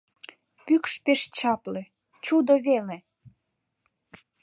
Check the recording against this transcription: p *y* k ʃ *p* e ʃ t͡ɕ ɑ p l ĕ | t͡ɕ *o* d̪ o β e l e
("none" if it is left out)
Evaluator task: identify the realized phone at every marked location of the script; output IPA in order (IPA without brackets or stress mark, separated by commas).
y, p, u